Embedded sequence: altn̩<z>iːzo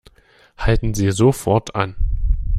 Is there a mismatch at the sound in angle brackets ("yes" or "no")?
no